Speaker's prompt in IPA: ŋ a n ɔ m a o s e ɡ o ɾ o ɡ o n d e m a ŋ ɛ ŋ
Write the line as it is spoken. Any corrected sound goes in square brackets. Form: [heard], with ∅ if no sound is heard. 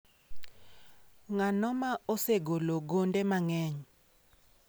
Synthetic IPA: ŋ a n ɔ m a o s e ɡ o [l] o ɡ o n d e m a ŋ ɛ [ɲ]